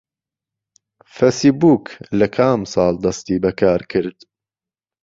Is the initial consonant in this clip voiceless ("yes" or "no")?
yes